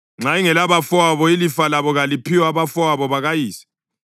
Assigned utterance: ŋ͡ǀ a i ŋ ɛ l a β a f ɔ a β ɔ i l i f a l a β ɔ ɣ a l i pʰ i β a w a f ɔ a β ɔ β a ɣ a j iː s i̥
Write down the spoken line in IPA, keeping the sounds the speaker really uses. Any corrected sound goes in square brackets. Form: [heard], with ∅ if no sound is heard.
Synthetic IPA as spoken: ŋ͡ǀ a i ŋ ɛ l a β a f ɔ a β ɔ i l i f a l a β ɔ ɣ a l i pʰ i [w] a [β] a f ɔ a β ɔ β a ɣ a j iː s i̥